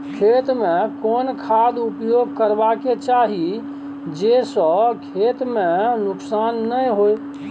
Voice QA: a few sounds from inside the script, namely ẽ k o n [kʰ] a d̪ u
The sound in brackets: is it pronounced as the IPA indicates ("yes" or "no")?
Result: yes